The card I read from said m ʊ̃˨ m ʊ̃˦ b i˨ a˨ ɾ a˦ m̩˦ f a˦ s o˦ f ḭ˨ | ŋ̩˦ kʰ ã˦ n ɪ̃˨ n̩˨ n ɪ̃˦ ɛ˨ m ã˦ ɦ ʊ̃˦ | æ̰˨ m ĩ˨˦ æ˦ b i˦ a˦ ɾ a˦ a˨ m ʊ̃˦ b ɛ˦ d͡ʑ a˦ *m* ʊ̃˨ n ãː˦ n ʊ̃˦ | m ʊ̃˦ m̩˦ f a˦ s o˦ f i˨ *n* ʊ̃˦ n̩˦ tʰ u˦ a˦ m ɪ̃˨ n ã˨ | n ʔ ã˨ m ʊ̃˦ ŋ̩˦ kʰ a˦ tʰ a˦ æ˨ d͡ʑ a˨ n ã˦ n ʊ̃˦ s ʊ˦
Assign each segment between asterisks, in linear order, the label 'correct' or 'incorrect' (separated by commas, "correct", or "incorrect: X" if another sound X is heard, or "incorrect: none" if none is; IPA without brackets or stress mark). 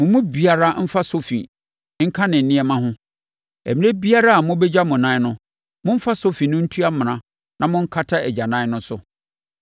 correct, correct